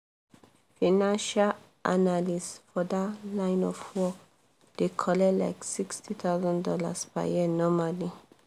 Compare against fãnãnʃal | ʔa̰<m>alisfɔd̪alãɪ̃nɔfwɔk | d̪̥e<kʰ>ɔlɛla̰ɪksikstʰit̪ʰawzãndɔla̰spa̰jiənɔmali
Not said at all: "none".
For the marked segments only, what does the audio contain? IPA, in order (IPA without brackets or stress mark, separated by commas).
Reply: n, kʰ